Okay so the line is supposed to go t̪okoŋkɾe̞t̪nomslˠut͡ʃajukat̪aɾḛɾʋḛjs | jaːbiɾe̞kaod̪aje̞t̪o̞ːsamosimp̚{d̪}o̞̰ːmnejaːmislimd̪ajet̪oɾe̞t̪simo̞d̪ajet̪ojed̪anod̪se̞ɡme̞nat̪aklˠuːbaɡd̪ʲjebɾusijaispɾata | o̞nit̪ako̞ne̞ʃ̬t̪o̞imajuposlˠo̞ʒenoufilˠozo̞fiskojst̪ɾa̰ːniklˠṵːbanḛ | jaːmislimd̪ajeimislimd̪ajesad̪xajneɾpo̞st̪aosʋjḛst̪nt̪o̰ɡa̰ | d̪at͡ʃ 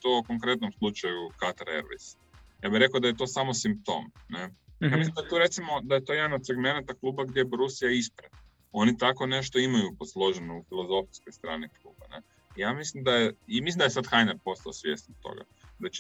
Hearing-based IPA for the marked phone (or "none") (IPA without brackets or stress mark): t̪